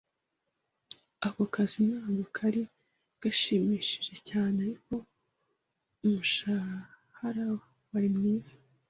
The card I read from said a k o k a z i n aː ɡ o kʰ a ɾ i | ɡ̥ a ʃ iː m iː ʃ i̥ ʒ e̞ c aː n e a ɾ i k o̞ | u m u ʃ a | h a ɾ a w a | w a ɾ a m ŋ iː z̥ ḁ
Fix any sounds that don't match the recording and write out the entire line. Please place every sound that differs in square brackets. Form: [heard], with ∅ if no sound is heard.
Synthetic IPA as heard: a k o k a z i n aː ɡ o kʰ a ɾ i | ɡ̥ a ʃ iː m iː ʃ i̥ ʒ e̞ c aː n e a ɾ i k o̞ | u m u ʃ a | h a ɾ a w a | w a ɾ [i] m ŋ iː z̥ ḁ